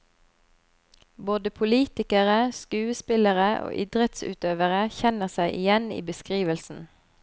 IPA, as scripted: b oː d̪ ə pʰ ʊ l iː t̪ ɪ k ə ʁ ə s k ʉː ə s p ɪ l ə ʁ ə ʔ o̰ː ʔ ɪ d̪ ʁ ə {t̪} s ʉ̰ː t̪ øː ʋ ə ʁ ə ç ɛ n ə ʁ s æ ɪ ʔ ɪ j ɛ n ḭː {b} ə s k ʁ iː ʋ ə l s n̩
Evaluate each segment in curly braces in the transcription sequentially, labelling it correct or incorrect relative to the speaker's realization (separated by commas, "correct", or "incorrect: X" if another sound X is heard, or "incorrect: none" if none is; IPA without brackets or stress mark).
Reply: correct, correct